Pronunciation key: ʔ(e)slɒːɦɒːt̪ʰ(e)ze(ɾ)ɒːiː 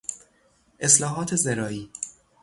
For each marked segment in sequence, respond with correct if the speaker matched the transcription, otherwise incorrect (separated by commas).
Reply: correct, correct, correct